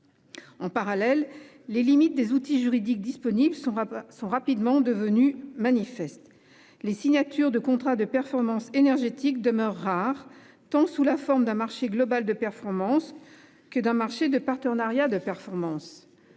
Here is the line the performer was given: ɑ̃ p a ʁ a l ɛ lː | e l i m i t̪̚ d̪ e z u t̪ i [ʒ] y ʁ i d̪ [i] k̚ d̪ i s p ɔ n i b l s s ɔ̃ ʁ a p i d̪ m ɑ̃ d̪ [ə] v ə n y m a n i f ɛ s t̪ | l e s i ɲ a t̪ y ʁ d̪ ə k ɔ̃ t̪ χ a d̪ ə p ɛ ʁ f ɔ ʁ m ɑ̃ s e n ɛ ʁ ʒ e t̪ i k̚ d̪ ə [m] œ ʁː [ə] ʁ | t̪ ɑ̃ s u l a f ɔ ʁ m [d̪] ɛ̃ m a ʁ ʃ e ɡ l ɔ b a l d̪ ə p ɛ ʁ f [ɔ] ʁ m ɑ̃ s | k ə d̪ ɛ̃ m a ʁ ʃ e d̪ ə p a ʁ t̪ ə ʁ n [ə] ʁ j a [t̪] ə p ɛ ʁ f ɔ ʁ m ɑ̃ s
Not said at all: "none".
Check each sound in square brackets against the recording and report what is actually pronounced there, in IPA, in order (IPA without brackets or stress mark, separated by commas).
ʒ, i, ə, m, a, d̪, ɔ, a, d̪